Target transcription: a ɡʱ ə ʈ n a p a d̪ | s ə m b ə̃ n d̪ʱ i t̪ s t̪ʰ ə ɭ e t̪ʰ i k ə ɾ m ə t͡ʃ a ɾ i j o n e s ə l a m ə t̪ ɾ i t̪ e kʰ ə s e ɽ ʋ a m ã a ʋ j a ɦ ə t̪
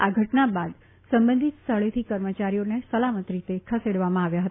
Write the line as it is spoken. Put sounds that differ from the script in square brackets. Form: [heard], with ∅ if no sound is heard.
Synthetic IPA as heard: a ɡʱ ə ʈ n a [b] a d̪ | s ə m b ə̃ n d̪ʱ i t̪ s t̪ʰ ə ɭ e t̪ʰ i k ə ɾ m ə t͡ʃ a ɾ i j o n e s ə l a m ə t̪ ɾ i t̪ e kʰ ə s e ɽ ʋ a m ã a ʋ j a ɦ ə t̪